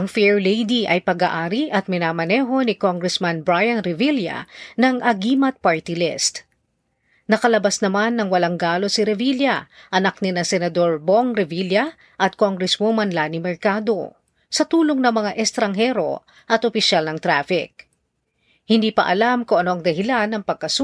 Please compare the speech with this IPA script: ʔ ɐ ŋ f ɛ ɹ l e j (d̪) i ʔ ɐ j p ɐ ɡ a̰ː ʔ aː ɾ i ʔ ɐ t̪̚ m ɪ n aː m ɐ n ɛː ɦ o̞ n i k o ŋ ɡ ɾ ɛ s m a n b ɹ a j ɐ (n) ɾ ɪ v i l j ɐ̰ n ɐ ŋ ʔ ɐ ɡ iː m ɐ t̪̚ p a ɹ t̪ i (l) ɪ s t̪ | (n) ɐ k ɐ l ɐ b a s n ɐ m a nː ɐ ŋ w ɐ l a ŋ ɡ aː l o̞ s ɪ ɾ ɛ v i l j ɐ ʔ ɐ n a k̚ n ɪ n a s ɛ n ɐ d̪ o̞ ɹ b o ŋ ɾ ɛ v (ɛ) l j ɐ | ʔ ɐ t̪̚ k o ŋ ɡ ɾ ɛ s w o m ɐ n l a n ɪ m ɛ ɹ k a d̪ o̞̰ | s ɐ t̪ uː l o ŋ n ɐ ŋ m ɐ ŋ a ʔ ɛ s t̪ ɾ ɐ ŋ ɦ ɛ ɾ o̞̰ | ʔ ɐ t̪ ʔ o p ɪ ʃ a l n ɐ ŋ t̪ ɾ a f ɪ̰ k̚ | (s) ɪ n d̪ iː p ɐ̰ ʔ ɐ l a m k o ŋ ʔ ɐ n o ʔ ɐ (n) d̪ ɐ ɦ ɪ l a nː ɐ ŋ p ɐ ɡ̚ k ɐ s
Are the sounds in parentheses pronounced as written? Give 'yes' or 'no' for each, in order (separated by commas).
yes, yes, yes, yes, no, no, no